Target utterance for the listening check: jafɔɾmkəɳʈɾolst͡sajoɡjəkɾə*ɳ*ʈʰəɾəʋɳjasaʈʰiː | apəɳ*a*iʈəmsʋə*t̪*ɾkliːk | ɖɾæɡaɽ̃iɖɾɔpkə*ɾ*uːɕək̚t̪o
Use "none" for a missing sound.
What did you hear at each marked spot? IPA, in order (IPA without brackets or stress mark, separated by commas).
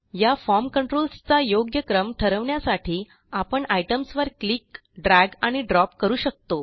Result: m, a, none, ɾ